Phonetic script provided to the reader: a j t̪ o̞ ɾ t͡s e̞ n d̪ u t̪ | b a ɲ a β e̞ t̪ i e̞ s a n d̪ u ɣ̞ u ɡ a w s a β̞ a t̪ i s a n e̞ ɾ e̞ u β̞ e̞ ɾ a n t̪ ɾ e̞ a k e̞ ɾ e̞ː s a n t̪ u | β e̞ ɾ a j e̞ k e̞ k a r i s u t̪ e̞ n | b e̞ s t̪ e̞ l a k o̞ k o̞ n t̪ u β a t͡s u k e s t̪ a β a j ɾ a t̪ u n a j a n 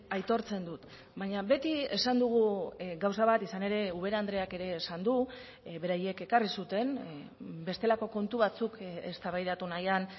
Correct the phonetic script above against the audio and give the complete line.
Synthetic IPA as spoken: a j t̪ o̞ ɾ t͡s e̞ n d̪ u t̪ | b a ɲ a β e̞ t̪ i e̞ s a n d̪ u ɣ̞ u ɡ a w s a β̞ a t̪ i s a n e̞ ɾ e̞ u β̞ e̞ ɾ a n d̪ ɾ e̞ a k e̞ ɾ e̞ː s a n d̪ u | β e̞ ɾ a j e̞ k e̞ k a r i s u t̪ e̞ n | b e̞ s t̪ e̞ l a k o̞ k o̞ n t̪ u β a t͡s u k e s t̪ a β a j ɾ a t̪ u n a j a n